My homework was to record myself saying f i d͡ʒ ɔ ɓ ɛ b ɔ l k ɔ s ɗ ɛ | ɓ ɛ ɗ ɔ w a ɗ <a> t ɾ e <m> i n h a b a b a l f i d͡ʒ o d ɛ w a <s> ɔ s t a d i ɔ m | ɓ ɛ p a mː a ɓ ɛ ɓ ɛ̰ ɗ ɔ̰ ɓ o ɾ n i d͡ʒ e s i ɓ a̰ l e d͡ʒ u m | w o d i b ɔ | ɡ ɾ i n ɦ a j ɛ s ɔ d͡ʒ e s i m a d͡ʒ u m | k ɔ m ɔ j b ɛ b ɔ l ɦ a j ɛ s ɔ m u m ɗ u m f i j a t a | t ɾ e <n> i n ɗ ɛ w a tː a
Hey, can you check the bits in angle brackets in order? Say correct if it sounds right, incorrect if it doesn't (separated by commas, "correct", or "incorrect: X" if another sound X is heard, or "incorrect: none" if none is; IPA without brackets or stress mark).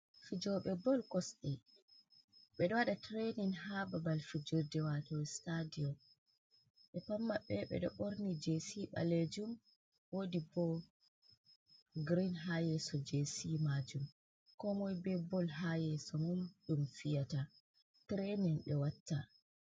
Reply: correct, incorrect: n, incorrect: t, correct